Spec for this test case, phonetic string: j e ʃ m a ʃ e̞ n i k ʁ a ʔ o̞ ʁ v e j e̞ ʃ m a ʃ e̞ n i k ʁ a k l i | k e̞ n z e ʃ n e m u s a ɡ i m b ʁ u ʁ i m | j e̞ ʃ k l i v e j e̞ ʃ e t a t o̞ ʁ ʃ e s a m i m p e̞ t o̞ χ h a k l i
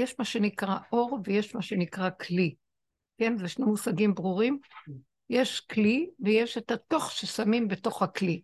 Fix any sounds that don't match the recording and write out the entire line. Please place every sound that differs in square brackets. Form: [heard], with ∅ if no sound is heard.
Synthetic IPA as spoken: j e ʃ m a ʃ e̞ n i k ʁ a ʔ o̞ ʁ v e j e̞ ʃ m a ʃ e̞ n i k ʁ a k l i | k e̞ n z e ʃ n e m u s a ɡ i m b ʁ u ʁ i m | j e̞ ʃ k l i v e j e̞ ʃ e t a t o̞ [χ] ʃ e s a m i m [b] e̞ t o̞ χ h a k l i